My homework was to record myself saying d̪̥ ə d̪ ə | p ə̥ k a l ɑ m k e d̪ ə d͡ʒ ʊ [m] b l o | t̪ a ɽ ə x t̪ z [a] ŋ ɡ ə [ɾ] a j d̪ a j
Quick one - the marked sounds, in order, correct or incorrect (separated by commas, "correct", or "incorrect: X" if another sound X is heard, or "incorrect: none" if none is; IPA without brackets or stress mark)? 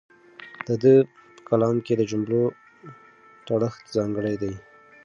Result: correct, incorrect: ɑ, incorrect: ɽ